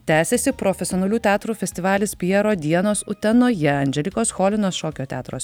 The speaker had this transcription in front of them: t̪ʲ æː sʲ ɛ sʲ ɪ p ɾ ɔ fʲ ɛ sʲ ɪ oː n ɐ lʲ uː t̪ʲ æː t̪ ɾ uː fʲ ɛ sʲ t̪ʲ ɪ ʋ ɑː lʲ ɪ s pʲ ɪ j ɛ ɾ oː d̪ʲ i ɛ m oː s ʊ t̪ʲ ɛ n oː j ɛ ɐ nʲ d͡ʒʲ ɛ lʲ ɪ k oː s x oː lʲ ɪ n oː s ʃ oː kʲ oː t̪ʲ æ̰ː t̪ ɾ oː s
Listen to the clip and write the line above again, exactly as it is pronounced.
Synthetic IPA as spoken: t̪ʲ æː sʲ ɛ sʲ ɪ p ɾ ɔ fʲ ɛ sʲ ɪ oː n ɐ lʲ uː t̪ʲ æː t̪ ɾ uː fʲ ɛ sʲ t̪ʲ ɪ ʋ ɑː lʲ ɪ s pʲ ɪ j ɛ ɾ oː d̪ʲ i ɛ n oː s ʊ t̪ʲ ɛ n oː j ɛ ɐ nʲ d͡ʒʲ ɛ lʲ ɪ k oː s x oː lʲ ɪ n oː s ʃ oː kʲ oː t̪ʲ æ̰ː t̪ ɾ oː s